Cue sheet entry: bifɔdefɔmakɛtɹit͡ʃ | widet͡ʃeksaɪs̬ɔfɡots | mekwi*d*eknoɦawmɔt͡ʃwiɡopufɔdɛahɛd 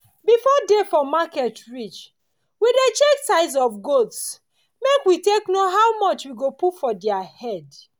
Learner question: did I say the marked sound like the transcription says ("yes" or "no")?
no